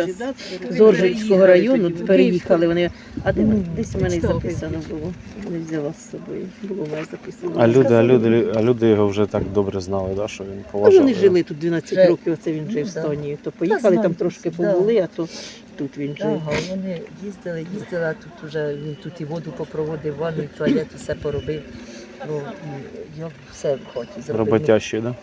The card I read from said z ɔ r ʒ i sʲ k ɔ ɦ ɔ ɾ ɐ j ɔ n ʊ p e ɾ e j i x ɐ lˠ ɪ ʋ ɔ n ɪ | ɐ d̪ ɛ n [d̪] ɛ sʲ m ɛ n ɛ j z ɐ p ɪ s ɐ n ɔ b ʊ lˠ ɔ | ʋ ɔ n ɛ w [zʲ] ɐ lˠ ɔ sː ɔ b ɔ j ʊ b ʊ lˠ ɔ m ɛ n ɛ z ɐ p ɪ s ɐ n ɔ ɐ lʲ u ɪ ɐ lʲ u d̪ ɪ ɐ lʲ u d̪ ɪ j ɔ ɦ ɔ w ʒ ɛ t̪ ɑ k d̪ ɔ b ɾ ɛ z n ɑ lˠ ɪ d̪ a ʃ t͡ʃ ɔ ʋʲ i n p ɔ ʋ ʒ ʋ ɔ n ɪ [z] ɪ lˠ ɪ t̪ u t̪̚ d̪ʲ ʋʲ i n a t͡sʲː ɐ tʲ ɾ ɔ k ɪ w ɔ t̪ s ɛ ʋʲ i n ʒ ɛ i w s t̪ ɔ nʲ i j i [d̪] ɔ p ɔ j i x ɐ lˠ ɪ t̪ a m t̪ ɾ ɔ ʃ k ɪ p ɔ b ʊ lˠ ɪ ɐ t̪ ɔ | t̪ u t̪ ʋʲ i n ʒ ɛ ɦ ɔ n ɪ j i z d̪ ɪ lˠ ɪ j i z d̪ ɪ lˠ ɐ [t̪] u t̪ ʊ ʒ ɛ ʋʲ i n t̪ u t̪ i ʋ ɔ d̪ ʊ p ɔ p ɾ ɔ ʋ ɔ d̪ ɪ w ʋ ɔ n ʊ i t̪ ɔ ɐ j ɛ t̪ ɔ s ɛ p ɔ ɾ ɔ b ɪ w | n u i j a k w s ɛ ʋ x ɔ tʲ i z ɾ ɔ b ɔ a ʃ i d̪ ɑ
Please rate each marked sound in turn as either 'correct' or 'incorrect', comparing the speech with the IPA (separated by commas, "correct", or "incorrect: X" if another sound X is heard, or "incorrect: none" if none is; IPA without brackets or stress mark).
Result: correct, correct, incorrect: ʒ, incorrect: t̪, correct